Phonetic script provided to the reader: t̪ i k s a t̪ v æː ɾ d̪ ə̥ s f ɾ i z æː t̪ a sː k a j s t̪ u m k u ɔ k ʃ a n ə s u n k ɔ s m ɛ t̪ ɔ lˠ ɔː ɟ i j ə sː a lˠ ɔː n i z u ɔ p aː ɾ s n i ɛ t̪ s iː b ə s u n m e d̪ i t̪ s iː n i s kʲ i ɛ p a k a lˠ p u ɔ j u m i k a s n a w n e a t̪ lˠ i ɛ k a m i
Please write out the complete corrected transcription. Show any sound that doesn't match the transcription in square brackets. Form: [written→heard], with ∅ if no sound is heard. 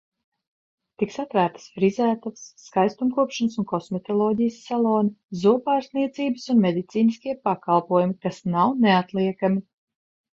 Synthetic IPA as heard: t̪ i k s a t̪ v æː ɾ [d̪→t̪] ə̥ s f ɾ i z æː t̪ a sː k a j s t̪ u m k u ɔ [k→p] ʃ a n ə s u n k ɔ s m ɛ t̪ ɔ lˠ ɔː ɟ i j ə sː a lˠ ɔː n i z u ɔ p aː ɾ s n i ɛ t̪ s iː b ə s u n m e d̪ i t̪ s iː n i s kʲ i ɛ p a k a lˠ p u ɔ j u m i k a s n a w n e a t̪ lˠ i ɛ k a m i

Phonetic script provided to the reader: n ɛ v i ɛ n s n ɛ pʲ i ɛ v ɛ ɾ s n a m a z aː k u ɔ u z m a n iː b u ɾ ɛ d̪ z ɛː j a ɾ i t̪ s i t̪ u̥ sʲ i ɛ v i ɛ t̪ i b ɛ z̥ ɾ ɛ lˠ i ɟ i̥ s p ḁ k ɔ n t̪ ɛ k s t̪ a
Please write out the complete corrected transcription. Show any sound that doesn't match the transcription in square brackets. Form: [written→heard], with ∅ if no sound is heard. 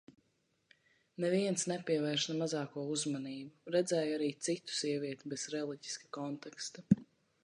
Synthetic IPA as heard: n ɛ v i ɛ n s n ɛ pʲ i ɛ v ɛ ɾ [s→ʃ] n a m a z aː k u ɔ u z m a n iː b u ɾ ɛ d̪ z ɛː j a ɾ [i→iː] t̪ s i t̪ u̥ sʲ i ɛ v i ɛ t̪ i b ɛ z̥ ɾ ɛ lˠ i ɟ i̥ s [p→k] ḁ k ɔ n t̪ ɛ k s t̪ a

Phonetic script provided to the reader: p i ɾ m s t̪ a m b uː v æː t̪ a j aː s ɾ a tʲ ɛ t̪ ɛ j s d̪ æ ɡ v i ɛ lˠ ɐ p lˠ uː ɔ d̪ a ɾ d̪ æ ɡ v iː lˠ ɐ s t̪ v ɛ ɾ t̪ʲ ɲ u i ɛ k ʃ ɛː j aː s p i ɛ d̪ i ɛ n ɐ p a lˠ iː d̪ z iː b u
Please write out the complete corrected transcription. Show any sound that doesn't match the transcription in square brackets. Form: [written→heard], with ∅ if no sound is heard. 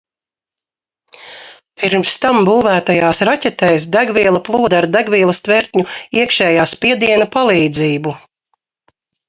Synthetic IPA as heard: p i ɾ m s t̪ a m b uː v æː t̪ a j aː s ɾ a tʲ ɛ t̪ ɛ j s d̪ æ ɡ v i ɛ lˠ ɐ p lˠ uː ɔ d̪ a ɾ d̪ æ ɡ v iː lˠ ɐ s t̪ v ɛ ɾ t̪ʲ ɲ u i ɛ k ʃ ɛː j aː s p i ɛ d̪ i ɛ n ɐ p a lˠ iː d̪ z iː b u

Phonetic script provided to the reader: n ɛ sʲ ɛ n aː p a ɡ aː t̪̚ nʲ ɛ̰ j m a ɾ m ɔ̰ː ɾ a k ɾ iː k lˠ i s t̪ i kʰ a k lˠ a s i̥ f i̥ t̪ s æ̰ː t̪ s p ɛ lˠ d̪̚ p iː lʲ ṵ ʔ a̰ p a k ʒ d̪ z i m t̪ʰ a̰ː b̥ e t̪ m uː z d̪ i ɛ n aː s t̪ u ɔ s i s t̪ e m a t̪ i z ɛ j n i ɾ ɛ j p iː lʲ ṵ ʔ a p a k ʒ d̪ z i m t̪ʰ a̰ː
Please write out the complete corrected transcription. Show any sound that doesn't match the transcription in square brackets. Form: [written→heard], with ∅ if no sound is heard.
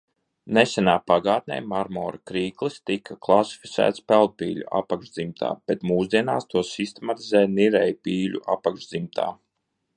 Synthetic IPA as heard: n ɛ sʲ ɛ n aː p a ɡ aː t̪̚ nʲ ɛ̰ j m a ɾ m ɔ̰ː ɾ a k ɾ iː k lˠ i s t̪ i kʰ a k lˠ a s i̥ f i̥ t̪ s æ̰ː t̪ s p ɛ lˠ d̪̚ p iː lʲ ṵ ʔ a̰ p a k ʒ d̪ z i m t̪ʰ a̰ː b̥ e t̪ m uː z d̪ i ɛ n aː s t̪ u ɔ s i s t̪ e m a t̪ i z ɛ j n i ɾ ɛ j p iː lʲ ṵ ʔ a p a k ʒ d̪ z i m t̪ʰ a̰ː

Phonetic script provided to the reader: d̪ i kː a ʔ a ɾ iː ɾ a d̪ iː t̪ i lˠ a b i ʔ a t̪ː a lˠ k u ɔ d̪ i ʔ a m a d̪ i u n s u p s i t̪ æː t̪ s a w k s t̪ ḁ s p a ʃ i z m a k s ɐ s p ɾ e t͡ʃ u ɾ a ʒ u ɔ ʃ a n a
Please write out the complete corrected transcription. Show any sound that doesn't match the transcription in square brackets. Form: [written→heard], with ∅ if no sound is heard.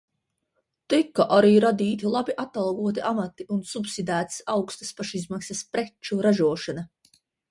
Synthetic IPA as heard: [d̪→t̪] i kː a ʔ a ɾ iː ɾ a d̪ iː t̪ i lˠ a b i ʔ a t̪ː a lˠ [k→ɡ] u ɔ [d̪→t̪] i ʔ a m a [d̪→t̪] i u n s u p s i [t̪→d̪] æː t̪ s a w k s t̪ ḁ s p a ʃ i z m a k s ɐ s p ɾ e t͡ʃ u ɾ a ʒ u ɔ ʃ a n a

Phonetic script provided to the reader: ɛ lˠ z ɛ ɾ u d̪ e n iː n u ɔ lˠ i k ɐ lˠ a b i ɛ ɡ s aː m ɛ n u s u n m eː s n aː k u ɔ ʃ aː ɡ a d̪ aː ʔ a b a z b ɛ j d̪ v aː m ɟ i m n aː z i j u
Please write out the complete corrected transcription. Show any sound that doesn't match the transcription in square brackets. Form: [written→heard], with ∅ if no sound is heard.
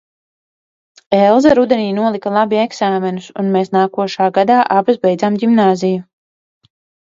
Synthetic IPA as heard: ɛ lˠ z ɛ ɾ u d̪ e n iː n u ɔ lˠ i k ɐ lˠ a b i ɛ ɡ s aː m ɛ n u s u n m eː s n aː k u ɔ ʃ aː ɡ a d̪ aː ʔ a b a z b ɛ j d̪ [v→z] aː m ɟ i m n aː z i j u

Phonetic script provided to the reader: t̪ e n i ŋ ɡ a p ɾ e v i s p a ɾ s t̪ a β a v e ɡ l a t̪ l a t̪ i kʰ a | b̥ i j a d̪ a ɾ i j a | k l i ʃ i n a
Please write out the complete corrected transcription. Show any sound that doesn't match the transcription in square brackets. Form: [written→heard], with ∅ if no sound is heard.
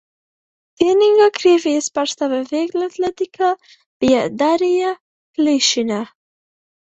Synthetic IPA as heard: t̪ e n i ŋ ɡ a [p→k] ɾ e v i s p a ɾ s t̪ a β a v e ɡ l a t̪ l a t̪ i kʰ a | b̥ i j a d̪ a ɾ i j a | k l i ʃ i n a

